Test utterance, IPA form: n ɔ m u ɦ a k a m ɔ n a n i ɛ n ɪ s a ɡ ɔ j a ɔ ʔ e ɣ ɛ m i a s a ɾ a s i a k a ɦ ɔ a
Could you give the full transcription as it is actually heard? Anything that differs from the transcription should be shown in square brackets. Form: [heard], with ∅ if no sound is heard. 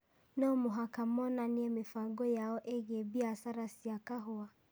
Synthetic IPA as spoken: n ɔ m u ɦ a k a m ɔ n a n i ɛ [m] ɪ [f] a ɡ ɔ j a ɔ ʔ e ɣ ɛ [b] i a s a ɾ a s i a k a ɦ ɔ a